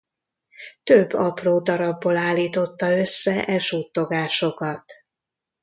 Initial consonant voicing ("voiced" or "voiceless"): voiceless